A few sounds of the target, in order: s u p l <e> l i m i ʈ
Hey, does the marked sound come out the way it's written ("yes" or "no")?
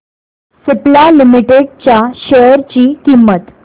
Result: no